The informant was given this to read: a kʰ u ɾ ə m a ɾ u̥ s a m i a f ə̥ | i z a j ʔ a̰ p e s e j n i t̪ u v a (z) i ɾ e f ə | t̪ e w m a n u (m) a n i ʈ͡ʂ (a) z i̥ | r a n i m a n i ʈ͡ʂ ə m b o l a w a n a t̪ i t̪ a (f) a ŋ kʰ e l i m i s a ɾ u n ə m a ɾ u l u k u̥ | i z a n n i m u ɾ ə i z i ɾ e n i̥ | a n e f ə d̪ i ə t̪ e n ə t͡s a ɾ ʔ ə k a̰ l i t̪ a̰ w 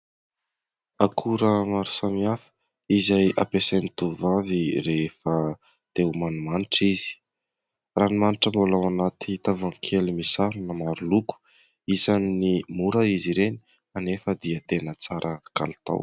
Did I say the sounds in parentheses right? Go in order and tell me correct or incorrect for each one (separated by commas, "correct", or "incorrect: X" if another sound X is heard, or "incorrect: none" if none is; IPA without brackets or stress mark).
incorrect: v, correct, incorrect: i, incorrect: v